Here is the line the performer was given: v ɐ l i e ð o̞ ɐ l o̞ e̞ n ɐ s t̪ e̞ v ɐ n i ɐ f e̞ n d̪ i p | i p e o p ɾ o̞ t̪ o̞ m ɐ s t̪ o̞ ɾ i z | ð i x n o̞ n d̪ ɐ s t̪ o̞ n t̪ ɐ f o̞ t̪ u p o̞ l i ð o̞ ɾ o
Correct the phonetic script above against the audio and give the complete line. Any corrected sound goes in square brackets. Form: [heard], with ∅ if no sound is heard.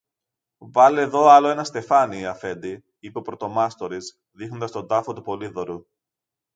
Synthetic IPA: v ɐ l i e ð o̞ ɐ l o̞ e̞ n ɐ s t̪ e̞ [f] ɐ n i ɐ f e̞ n d̪ i [∅] | i p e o p ɾ o̞ t̪ o̞ m ɐ s t̪ o̞ ɾ i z | ð i x n o̞ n d̪ ɐ s t̪ o̞ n [d̪] ɐ f o̞ t̪ u p o̞ l i ð o̞ ɾ [u]